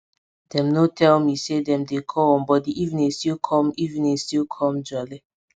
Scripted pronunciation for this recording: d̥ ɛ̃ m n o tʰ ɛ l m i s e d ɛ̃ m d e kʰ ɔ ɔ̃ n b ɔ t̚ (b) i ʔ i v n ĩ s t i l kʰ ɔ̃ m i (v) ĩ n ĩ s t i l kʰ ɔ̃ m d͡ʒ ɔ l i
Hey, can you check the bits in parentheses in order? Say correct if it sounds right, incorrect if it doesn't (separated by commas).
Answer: incorrect, correct